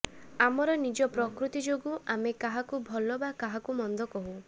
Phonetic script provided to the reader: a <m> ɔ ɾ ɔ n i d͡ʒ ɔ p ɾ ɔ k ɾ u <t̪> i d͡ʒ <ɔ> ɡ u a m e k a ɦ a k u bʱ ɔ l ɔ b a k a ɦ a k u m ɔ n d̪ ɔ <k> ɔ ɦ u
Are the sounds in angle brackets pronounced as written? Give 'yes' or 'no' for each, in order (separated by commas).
yes, yes, no, yes